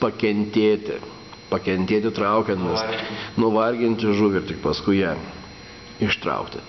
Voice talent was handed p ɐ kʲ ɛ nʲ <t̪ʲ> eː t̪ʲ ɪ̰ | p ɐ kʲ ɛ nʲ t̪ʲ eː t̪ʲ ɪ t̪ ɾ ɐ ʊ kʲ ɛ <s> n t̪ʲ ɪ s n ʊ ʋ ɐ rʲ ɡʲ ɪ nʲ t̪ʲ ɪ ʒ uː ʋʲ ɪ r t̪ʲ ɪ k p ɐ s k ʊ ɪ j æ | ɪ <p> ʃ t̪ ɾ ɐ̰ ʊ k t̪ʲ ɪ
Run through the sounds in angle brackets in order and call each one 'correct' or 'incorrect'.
correct, incorrect: none, incorrect: none

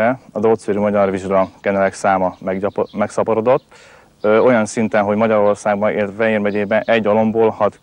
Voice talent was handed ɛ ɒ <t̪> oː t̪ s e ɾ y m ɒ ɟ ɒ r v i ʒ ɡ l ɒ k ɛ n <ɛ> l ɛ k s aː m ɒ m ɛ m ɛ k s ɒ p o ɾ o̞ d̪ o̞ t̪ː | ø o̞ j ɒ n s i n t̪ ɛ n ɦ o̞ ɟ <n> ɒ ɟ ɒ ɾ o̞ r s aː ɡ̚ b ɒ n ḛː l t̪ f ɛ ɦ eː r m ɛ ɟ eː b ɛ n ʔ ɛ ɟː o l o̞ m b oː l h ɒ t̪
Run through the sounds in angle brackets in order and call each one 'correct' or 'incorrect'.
incorrect: d̪, correct, incorrect: m

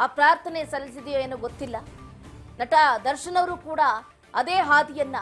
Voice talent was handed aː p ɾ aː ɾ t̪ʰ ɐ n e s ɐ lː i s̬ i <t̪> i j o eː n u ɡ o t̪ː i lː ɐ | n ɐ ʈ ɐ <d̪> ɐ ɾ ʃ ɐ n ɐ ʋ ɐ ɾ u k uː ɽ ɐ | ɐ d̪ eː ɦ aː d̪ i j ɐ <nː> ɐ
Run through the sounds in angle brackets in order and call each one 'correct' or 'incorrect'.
incorrect: d̪, correct, correct

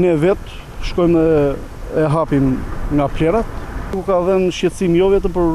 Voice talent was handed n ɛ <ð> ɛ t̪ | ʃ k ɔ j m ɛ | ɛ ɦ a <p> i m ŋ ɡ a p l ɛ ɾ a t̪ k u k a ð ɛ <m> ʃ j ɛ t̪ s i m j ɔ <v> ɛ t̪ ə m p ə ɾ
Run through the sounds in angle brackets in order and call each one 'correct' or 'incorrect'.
incorrect: v, correct, incorrect: n, correct

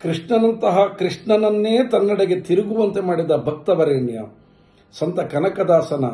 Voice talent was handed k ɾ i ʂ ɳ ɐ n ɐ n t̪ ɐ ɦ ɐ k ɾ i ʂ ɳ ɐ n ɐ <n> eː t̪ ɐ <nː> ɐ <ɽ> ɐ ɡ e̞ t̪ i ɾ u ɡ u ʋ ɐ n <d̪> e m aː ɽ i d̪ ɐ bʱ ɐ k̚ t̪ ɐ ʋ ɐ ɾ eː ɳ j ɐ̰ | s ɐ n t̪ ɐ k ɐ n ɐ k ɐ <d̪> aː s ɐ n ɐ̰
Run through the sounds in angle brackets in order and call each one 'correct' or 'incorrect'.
incorrect: nː, correct, correct, incorrect: t̪, correct

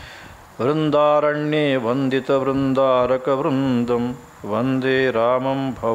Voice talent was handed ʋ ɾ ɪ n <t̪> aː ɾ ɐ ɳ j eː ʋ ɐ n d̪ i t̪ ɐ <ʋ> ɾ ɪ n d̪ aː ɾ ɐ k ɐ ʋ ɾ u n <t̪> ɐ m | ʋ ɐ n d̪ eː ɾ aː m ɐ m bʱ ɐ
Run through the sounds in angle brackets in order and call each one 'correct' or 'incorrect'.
incorrect: d̪, correct, incorrect: d̪

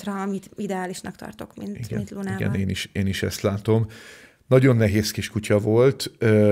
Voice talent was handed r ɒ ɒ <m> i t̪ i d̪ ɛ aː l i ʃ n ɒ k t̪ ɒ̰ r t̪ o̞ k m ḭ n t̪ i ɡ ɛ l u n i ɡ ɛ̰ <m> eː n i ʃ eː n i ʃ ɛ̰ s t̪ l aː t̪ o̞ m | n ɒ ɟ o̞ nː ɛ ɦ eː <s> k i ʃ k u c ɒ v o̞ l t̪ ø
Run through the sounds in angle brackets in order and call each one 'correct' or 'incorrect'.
correct, incorrect: n, correct

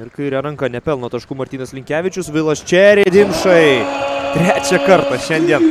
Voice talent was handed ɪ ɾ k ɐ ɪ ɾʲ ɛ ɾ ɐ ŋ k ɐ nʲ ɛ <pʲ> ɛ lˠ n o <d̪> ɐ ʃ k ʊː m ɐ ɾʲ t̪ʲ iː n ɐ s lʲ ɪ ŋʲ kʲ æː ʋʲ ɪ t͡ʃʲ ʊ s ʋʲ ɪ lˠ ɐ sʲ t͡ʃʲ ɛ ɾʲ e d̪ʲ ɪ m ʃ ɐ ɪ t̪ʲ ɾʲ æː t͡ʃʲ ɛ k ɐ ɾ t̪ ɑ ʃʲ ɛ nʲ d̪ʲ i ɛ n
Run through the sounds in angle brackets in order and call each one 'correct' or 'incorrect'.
correct, incorrect: t̪

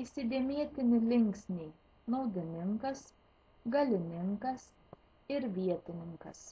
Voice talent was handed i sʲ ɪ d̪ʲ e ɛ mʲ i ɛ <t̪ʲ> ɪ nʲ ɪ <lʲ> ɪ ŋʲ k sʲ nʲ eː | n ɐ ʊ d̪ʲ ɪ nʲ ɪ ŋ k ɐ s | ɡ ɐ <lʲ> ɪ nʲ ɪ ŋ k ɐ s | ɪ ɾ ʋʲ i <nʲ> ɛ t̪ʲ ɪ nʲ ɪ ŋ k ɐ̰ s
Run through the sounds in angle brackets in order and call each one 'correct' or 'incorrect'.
correct, correct, correct, incorrect: none

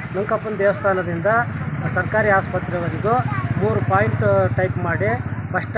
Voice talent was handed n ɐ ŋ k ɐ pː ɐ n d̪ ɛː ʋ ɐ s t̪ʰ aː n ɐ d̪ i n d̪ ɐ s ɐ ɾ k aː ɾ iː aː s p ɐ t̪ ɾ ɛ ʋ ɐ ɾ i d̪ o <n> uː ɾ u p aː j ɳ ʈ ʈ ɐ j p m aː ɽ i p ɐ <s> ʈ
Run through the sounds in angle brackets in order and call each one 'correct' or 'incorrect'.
incorrect: m, incorrect: ʂ

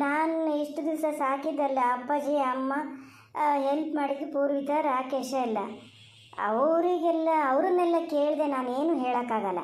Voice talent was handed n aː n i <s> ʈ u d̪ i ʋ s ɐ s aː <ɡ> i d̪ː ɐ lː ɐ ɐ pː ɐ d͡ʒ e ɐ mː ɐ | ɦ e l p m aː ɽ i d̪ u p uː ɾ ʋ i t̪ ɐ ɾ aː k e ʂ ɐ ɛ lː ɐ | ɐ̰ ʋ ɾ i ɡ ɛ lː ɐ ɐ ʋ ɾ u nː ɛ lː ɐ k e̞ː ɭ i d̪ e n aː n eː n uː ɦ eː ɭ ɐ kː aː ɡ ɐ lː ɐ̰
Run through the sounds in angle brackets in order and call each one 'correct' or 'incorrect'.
incorrect: ʂ, incorrect: k

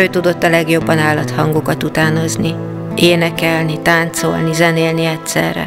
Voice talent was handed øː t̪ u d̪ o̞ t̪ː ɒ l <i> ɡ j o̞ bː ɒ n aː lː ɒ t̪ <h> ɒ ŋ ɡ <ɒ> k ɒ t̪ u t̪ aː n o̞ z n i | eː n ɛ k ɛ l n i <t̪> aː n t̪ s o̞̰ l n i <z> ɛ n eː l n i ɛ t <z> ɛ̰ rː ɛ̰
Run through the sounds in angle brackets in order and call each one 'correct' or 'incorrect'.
incorrect: ɛ, correct, incorrect: o, correct, correct, incorrect: s

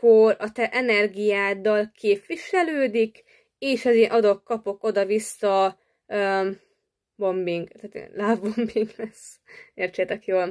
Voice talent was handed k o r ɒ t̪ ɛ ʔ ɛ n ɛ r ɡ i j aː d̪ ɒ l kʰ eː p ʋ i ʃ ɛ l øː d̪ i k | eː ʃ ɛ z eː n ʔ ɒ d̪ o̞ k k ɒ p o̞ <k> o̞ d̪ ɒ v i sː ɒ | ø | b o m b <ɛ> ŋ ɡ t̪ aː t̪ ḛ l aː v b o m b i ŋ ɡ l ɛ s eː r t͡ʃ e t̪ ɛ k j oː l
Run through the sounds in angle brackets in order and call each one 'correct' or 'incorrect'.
correct, incorrect: i

